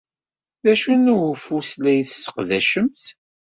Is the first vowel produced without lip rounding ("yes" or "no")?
yes